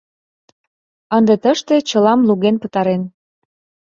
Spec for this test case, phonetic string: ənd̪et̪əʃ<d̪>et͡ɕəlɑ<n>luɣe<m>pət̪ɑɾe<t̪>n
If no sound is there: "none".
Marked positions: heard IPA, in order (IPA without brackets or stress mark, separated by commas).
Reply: t̪, m, n, none